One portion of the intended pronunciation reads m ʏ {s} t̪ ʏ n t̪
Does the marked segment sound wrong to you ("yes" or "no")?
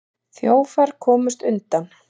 no